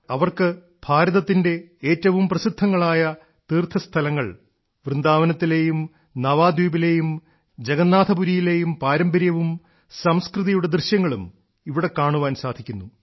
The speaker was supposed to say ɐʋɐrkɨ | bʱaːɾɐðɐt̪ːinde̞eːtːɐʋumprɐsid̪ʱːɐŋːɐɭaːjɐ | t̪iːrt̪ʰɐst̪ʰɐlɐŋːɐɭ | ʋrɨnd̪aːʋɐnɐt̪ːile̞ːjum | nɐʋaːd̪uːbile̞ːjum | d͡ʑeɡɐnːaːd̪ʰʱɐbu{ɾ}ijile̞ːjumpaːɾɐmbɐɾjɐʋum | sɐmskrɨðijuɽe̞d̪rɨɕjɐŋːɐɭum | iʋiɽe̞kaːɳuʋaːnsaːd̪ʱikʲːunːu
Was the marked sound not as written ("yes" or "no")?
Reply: no